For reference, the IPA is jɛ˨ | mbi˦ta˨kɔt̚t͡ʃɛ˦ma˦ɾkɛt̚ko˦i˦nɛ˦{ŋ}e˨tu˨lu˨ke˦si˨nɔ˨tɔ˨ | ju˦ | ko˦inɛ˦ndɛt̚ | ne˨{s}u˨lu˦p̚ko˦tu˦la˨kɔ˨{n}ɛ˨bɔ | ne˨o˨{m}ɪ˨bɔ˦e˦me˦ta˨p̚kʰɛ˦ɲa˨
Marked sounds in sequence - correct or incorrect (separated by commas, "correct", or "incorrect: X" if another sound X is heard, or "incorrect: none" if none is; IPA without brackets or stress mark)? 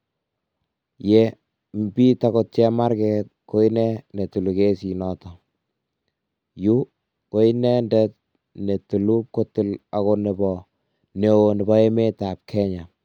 incorrect: n, incorrect: t, correct, incorrect: n